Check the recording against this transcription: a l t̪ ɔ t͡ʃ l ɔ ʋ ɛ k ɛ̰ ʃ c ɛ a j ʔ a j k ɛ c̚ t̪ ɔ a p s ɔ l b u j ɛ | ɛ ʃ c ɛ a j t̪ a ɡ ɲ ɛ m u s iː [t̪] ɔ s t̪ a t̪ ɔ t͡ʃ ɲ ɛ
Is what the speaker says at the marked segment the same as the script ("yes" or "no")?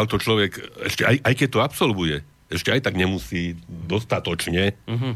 no